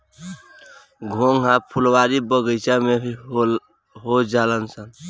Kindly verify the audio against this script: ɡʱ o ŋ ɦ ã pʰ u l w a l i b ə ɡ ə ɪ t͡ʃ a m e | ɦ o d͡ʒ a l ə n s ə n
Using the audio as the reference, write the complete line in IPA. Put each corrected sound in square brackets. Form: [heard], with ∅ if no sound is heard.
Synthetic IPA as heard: ɡʱ o ŋ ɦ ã pʰ u l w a [ɾ] i b ə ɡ ə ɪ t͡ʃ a m e | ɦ o d͡ʒ a l ə n s ə n